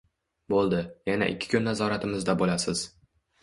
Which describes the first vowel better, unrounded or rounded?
rounded